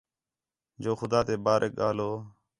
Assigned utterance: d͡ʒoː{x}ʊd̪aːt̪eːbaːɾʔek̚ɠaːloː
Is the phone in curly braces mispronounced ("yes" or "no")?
no